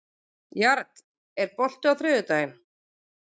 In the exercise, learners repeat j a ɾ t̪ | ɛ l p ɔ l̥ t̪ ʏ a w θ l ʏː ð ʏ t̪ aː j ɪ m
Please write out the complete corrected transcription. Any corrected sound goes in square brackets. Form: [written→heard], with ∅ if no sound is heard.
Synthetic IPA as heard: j a ɾ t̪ | ɛ [l→ɾ] p ɔ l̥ t̪ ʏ a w θ [l→ɾ] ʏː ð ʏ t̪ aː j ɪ m